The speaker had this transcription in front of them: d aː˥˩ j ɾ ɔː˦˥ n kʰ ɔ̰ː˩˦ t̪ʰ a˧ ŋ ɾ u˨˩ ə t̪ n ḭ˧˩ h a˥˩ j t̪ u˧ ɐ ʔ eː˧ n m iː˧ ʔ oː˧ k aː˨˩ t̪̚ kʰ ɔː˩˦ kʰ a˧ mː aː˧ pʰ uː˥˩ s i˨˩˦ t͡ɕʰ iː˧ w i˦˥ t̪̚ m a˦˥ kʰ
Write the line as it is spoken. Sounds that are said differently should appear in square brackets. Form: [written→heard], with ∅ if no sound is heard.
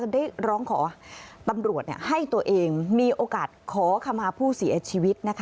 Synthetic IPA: d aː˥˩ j ɾ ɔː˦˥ [n→ŋ] kʰ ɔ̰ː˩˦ [t̪ʰ→t̪] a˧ [ŋ→m] ɾ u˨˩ ə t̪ n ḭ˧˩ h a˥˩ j t̪ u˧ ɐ ʔ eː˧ [n→ŋ] m iː˧ ʔ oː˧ k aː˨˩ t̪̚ kʰ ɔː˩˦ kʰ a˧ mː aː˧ pʰ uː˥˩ s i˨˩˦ t͡ɕʰ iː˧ w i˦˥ t̪̚ [m→n] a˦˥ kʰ